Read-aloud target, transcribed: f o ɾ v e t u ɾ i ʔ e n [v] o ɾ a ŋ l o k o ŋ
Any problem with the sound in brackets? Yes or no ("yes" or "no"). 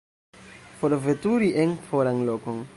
yes